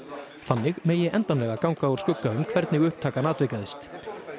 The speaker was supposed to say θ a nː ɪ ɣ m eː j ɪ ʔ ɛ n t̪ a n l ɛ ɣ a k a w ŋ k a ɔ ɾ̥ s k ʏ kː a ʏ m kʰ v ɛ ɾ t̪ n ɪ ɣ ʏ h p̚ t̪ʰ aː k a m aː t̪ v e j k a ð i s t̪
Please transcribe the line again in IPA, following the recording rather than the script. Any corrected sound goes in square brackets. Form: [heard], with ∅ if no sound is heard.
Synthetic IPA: θ a nː ɪ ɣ m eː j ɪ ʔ ɛ n t̪ a n l ɛ ɣ a k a w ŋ k a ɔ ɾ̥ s k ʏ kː a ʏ m kʰ v ɛ ɾ t̪ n ɪ ɣ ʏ h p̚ t̪ʰ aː k a [n] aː t̪ v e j k a ð [ɪ] s t̪